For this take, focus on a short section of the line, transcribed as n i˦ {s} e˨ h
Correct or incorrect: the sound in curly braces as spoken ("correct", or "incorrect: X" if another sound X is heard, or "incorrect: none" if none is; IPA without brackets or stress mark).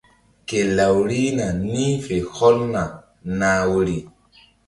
incorrect: f